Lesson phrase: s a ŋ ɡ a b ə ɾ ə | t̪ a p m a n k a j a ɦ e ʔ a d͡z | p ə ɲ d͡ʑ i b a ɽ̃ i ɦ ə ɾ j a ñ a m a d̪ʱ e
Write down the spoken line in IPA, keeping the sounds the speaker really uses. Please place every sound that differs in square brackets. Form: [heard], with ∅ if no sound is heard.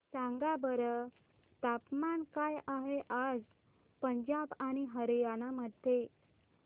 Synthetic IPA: s a ŋ ɡ a b ə ɾ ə | t̪ a p m a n k a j a ɦ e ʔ a d͡z | p ə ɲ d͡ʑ [a] b a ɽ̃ i ɦ ə ɾ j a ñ a m [ə] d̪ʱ e